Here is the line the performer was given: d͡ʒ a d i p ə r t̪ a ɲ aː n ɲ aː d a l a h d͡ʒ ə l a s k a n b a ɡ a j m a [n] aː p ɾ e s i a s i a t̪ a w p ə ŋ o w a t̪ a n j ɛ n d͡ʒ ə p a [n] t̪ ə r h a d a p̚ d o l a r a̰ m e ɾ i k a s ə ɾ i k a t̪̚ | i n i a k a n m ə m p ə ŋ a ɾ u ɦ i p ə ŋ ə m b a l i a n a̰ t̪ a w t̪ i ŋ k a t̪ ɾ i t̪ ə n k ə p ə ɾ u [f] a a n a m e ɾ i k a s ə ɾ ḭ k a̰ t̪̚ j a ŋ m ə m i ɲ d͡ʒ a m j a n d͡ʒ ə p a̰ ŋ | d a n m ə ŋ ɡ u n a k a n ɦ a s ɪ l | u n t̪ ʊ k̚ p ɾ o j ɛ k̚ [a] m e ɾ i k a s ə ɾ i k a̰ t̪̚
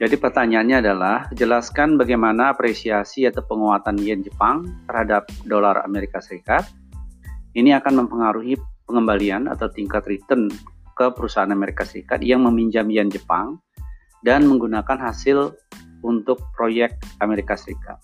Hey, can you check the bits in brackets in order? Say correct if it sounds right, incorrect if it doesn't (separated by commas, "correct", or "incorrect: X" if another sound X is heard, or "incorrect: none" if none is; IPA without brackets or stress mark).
correct, incorrect: ŋ, incorrect: s, correct